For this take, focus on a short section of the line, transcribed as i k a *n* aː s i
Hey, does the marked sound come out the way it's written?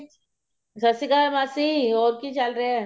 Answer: no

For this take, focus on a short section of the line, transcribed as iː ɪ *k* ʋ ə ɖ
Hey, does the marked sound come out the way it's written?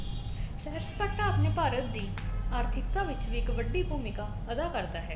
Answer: yes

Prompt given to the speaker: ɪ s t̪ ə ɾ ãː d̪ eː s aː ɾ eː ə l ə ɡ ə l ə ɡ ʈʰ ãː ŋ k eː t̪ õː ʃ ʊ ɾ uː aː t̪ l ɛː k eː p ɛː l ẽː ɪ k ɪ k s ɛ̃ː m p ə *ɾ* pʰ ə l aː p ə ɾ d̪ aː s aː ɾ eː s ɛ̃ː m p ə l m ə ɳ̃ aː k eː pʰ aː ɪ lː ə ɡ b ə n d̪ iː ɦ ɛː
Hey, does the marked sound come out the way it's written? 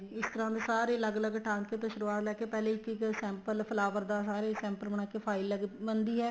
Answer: no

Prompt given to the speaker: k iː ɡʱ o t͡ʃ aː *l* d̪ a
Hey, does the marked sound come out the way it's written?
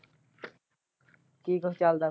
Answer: yes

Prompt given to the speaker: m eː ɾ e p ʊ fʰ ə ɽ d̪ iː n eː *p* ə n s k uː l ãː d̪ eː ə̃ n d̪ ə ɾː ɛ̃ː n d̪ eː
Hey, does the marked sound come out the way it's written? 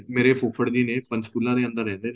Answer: yes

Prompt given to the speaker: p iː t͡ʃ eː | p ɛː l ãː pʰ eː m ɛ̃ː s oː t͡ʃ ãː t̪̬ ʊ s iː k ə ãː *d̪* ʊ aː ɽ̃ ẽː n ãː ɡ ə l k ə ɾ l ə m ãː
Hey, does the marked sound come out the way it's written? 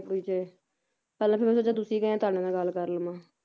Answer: no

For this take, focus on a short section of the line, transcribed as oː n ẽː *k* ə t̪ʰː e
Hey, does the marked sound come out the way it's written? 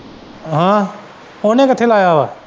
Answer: yes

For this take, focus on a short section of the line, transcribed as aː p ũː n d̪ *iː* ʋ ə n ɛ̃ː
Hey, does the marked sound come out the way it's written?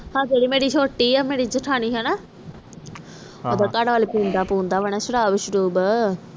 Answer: no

